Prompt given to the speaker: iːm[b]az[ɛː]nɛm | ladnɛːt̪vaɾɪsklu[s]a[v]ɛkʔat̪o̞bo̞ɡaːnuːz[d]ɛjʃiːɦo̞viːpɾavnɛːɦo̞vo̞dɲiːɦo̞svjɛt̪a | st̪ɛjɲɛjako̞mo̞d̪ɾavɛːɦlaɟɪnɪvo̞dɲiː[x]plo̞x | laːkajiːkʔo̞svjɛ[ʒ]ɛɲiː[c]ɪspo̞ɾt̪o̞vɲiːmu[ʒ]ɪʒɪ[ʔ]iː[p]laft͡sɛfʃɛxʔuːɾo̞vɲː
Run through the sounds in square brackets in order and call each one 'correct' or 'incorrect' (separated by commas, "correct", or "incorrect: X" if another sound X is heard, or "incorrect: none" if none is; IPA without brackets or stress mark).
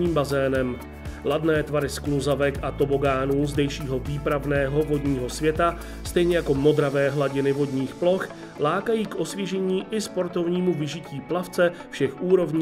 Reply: correct, correct, incorrect: z, correct, correct, correct, correct, incorrect: ʔ, incorrect: v, incorrect: c, correct